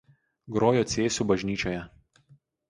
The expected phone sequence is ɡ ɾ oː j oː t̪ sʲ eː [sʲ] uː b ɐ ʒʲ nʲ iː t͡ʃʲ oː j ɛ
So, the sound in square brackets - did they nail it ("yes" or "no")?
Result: yes